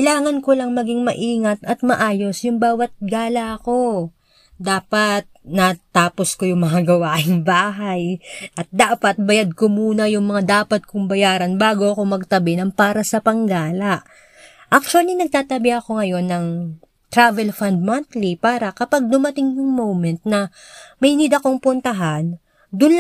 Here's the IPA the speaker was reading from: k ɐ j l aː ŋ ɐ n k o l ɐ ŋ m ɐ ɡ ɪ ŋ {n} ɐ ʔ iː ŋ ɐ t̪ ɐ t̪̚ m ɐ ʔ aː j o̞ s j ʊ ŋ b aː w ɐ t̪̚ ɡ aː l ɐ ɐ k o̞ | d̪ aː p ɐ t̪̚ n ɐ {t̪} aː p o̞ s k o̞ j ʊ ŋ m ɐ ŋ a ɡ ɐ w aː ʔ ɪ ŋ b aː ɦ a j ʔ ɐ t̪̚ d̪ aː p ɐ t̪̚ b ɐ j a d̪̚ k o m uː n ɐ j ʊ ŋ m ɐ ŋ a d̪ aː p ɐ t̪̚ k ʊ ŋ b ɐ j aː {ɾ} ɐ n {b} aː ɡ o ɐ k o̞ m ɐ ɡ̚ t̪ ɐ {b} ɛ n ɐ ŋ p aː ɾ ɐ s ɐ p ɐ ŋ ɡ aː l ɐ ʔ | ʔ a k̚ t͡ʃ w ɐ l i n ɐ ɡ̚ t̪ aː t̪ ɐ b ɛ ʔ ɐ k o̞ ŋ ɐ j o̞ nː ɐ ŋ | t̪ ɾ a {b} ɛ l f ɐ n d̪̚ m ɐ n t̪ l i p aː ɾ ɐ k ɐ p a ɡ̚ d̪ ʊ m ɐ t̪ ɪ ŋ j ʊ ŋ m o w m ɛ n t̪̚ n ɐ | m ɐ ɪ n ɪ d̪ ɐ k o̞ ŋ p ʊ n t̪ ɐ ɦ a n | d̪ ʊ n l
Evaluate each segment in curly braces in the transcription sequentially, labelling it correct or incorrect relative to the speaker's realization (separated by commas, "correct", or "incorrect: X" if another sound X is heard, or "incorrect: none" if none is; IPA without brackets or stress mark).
incorrect: m, correct, correct, correct, correct, incorrect: v